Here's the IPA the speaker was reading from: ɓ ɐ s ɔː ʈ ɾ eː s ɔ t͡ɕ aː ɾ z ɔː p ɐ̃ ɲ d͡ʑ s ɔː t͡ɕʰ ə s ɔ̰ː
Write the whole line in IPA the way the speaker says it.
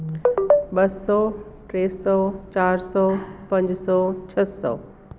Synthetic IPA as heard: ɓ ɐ s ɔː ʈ ɾ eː s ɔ t͡ɕ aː ɾ s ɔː p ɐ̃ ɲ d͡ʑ s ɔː t͡ɕʰ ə s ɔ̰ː

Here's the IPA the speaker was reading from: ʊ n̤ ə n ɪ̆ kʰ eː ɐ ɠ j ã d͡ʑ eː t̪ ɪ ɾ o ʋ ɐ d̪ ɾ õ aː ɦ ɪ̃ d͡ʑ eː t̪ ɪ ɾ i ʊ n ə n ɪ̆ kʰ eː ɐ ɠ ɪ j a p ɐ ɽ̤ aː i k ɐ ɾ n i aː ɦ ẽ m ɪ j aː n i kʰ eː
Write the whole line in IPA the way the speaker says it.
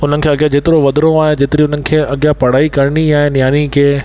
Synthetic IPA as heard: ʊ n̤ ə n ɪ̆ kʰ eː ɐ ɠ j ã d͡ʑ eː t̪ ɪ ɾ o ʋ ɐ d̪ ɾ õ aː ɦ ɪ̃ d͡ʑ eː t̪ ɪ ɾ i ʊ n ə n ɪ̆ kʰ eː ɐ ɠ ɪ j a p ɐ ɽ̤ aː i k ɐ ɾ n i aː ɦ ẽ n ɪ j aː n i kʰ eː

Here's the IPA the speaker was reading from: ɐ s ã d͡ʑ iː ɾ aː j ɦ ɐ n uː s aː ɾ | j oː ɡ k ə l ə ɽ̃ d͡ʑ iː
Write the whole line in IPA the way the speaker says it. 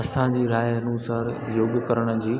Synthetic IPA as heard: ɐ s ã d͡ʑ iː ɾ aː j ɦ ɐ n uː s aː ɾ | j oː ɡ k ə ɾ ə ɽ̃ d͡ʑ iː

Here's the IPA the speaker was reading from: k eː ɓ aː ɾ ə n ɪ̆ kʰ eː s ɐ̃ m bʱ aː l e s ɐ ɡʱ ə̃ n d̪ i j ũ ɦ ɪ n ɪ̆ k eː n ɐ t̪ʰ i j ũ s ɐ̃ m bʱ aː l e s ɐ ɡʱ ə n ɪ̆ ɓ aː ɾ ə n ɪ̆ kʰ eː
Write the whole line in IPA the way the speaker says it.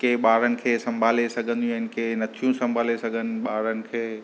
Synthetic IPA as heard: k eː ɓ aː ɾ ə n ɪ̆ kʰ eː s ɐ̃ m bʱ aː l e s ɐ ɡʱ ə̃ n d̪ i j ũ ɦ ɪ n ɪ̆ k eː n ɐ t̪ʰ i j ũ s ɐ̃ m bʱ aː l e s ɐ ɡʱ ə n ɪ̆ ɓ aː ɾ ə n ɪ̆ kʰ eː

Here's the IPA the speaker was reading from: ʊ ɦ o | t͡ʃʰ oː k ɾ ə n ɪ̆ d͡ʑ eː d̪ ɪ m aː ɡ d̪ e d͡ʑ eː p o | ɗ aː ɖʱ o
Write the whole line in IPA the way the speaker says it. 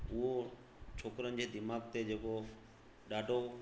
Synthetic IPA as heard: ʊ ɦ o | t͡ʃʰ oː k ɾ ə n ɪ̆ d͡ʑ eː d̪ ɪ m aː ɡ t̪ e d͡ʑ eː k o | ɗ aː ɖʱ o

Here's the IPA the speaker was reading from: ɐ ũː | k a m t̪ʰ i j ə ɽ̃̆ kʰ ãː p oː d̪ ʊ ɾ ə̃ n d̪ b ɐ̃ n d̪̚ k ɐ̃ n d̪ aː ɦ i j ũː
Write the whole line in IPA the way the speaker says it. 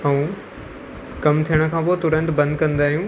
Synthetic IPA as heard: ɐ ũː | k ɐ m t̪ʰ i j ə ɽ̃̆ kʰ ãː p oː t̪ ʊ ɾ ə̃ n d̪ b ɐ̃ n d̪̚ k ɐ̃ n d̪ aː ɦ i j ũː

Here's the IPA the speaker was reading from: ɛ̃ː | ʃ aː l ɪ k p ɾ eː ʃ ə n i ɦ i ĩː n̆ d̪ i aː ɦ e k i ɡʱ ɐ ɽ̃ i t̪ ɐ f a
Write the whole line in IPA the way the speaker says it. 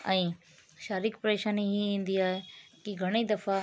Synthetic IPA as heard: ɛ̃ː | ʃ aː ɾ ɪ k p ɾ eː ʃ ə n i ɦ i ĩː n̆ d̪ i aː ɦ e k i ɡʱ ɐ ɽ̃ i d̪ ɐ f a

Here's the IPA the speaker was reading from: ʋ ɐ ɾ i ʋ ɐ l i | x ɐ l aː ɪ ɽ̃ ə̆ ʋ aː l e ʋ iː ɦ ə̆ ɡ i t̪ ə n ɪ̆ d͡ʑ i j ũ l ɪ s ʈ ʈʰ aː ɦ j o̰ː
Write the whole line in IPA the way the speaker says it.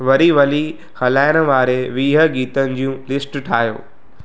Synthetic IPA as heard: ʋ ɐ ɾ i ʋ ɐ l i | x ɐ l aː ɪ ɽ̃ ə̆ ʋ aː ɾ e ʋ iː ɦ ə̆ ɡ iː t̪ ə n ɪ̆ d͡ʑ i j ũ l ɪ s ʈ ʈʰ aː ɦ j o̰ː

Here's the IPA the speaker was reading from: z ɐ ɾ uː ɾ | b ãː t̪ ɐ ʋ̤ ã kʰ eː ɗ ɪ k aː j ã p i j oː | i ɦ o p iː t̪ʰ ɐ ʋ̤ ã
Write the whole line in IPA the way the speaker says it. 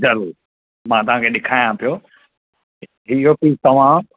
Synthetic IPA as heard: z ɐ ɾ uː ɾ | m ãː t̪ ɐ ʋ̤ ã kʰ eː ɗ ɪ kʰ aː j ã p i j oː | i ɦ o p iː t̪ ɐ ʋ̤ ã

